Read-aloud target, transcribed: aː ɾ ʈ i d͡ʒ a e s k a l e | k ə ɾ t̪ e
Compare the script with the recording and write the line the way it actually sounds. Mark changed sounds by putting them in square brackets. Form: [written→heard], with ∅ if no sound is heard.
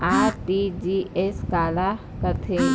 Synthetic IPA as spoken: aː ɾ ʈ i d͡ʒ [a→i] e s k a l [e→a] | k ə ɾ [t̪→t̪ʰ] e